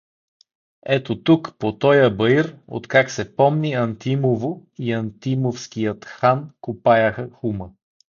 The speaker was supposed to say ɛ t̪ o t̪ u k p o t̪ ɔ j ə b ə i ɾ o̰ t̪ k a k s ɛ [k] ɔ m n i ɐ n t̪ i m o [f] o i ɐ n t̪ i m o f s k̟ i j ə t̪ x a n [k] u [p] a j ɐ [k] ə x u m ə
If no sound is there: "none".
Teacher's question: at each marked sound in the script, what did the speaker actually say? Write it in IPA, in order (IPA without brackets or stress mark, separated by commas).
p, v, k, p, x